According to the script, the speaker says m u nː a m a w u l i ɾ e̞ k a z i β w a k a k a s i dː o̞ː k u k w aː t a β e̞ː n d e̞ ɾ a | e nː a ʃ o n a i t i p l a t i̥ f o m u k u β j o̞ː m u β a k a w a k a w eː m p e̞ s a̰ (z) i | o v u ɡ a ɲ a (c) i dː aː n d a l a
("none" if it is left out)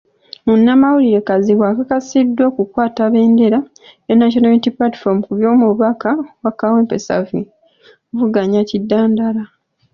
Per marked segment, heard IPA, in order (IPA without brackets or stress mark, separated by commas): v, c